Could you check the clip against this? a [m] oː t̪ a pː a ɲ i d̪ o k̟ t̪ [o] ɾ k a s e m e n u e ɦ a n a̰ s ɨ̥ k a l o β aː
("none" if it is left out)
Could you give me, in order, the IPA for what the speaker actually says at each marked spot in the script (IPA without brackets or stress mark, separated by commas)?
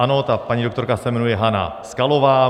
n, o